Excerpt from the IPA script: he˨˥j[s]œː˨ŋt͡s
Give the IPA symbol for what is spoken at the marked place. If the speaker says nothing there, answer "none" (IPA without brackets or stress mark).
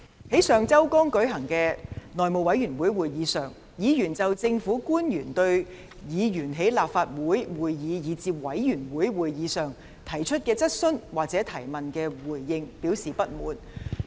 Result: s